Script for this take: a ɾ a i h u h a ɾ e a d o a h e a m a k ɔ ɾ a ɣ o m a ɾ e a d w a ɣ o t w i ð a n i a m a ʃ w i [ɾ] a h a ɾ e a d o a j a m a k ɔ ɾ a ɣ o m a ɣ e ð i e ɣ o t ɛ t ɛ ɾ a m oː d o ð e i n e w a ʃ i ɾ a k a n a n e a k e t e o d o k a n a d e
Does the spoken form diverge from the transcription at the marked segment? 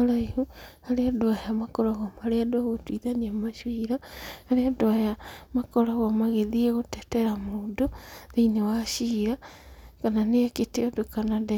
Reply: no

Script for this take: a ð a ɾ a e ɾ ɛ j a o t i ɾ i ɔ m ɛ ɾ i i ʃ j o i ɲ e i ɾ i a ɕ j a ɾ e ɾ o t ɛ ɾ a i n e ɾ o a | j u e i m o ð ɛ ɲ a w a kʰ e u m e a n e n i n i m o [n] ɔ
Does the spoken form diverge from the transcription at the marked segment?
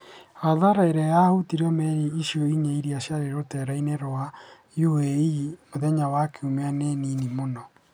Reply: no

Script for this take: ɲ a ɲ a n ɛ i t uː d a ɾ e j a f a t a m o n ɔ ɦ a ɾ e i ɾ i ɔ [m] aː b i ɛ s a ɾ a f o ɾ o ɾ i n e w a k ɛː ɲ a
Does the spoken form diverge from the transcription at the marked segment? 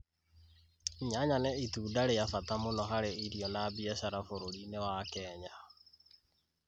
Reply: yes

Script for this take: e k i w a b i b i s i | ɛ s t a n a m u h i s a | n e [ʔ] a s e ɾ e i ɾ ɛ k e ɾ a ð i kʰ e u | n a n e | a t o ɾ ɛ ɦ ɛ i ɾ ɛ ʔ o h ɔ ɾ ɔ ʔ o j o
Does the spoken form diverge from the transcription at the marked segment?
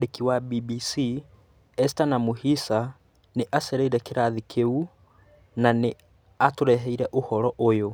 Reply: no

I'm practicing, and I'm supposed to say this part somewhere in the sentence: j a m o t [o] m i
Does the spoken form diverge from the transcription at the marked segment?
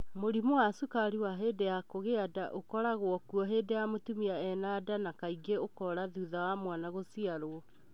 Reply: yes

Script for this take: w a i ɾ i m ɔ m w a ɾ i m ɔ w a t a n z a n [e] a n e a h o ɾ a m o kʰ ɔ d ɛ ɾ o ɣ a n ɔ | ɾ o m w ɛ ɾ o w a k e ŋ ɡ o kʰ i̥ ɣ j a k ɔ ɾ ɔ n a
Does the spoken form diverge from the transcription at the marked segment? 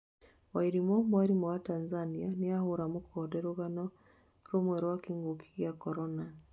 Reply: yes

